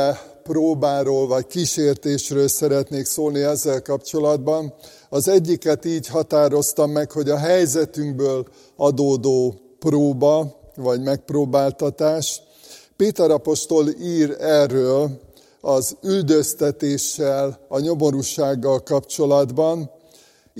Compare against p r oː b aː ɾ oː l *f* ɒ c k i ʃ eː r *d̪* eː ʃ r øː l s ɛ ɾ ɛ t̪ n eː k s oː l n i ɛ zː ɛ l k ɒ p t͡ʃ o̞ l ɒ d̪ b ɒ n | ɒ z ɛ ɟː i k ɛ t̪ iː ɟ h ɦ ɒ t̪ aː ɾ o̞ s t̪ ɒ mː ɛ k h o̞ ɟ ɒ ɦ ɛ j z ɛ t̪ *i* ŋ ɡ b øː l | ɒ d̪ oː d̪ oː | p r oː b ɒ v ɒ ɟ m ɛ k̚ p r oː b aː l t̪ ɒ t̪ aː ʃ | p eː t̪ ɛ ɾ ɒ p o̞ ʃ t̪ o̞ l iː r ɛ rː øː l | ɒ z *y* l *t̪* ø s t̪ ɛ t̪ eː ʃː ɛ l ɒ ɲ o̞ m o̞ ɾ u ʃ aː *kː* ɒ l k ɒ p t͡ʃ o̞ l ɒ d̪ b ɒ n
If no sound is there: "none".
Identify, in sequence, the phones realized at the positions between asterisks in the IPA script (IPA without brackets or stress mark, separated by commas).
v, t̪, y, y, d̪, ɡː